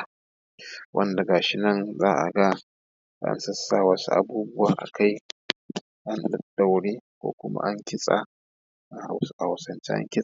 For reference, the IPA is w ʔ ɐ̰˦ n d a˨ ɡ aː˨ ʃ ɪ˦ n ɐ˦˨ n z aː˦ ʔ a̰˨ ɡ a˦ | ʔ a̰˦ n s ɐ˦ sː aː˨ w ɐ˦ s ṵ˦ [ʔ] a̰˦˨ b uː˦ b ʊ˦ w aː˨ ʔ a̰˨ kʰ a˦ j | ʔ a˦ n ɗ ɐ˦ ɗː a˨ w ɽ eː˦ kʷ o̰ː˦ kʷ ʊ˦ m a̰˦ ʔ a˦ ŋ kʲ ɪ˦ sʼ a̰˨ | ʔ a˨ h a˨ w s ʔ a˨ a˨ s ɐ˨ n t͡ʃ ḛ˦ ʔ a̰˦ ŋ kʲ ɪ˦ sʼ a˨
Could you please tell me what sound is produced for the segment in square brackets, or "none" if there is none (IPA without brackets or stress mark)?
ʔ